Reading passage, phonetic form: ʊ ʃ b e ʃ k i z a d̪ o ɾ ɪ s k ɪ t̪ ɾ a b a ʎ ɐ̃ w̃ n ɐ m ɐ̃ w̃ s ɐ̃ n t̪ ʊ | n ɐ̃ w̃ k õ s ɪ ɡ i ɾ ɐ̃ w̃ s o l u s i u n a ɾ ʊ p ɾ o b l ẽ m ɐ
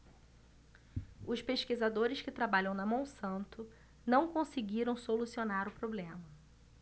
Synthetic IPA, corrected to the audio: ʊ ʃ p e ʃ k i z a d̪ o ɾ ɪ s k ɪ t̪ ɾ a b a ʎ ɐ̃ w̃ n ɐ m ɐ̃ w̃ s ɐ̃ n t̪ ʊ | n ɐ̃ w̃ k õ s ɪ ɡ i ɾ ɐ̃ w̃ s o l u s i o n a ɾ ʊ p ɾ o b l ẽ m ɐ